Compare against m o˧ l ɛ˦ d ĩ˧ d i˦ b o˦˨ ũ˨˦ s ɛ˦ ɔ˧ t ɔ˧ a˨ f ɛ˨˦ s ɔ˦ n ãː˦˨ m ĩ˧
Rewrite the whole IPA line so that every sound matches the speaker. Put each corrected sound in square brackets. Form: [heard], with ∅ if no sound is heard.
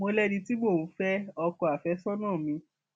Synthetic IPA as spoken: m o˧ l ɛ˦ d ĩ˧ [t] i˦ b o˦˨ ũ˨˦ [f] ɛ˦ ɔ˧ [k] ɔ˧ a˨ f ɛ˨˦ s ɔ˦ n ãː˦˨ m ĩ˧